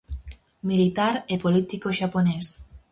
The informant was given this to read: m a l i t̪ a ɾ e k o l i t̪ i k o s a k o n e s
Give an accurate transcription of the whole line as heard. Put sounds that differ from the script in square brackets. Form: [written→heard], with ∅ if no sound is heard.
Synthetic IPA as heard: m [a→i] l i t̪ a ɾ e [k→p] o l i t̪ i k o [s→ʃ] a [k→p] o n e s